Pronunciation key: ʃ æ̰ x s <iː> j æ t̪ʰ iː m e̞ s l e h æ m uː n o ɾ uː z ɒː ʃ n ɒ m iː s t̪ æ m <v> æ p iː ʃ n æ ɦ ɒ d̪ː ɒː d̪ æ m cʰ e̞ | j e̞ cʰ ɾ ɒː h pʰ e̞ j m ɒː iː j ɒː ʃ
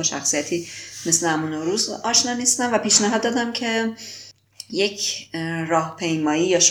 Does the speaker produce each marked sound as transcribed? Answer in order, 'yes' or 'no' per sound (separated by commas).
no, yes